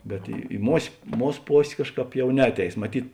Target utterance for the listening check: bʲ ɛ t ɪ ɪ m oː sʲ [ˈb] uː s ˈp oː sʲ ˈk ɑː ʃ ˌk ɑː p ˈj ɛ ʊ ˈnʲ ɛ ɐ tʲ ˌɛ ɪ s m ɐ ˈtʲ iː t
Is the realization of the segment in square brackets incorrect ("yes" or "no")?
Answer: yes